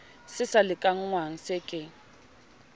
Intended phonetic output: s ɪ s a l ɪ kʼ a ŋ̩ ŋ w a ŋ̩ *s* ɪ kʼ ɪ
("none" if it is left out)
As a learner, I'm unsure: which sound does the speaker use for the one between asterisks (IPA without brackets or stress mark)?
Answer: s